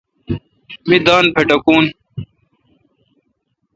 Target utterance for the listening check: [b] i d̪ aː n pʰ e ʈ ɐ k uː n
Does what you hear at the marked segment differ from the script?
yes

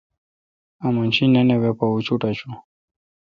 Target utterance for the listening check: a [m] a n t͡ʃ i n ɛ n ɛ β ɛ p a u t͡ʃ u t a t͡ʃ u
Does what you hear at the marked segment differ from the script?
no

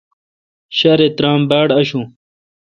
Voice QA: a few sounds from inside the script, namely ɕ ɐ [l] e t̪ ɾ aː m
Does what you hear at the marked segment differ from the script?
yes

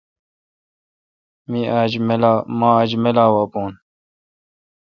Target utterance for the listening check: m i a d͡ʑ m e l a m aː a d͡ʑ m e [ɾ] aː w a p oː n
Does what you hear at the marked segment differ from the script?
yes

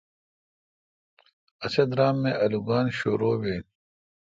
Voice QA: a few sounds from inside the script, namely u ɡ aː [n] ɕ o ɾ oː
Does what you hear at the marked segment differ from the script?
no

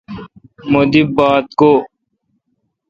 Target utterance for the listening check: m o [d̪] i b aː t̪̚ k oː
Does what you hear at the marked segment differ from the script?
no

